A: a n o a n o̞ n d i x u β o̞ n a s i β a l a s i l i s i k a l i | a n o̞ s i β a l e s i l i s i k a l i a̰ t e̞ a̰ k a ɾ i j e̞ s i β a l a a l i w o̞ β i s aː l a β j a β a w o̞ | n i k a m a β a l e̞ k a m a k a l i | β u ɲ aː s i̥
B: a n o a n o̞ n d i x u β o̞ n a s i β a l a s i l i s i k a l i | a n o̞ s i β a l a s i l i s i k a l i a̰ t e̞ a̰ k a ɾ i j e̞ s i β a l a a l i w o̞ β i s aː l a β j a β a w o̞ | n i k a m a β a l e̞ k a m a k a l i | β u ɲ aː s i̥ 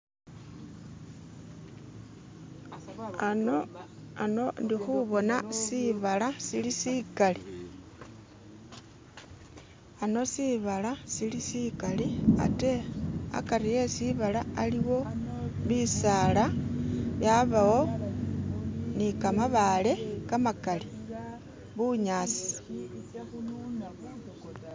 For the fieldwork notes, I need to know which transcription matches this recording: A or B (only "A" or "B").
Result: B